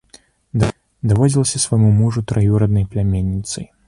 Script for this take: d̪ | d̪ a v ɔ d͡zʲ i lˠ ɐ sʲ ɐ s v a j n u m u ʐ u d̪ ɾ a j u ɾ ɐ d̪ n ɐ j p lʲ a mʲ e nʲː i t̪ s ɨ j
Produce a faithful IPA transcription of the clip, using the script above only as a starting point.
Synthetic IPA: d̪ | d̪ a v ɔ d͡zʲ i lˠ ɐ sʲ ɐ s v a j m u m u ʐ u t̪ ɾ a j u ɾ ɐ d̪ n ɐ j p lʲ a mʲ e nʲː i t̪ s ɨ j